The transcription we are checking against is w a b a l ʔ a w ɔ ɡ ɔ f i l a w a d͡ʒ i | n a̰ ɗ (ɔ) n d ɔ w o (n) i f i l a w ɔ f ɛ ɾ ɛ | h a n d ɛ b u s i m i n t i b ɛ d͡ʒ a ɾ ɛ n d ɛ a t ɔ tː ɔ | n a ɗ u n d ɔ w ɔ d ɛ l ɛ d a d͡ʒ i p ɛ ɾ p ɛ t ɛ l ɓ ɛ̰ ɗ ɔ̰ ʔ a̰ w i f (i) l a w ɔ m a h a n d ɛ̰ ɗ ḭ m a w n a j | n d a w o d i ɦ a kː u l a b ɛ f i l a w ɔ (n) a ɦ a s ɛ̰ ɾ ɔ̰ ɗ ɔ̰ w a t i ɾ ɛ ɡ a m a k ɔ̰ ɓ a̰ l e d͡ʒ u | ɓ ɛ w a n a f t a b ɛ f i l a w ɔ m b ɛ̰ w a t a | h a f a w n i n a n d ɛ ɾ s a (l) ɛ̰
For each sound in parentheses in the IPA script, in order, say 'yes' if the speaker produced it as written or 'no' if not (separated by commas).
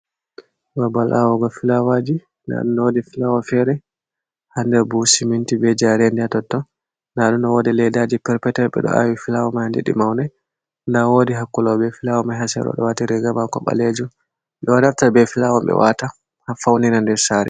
no, no, yes, no, no